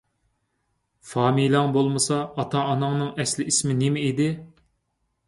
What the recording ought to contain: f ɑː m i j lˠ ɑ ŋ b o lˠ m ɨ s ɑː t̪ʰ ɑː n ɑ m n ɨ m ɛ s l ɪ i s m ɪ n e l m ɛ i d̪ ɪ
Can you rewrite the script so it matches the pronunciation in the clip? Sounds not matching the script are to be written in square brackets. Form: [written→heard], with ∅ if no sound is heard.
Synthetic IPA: f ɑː m i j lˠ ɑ ŋ b o lˠ m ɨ s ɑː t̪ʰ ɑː n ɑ [m→ŋ] n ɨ [m→ŋ] ɛ s l ɪ i s m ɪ n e [l→∅] m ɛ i d̪ ɪ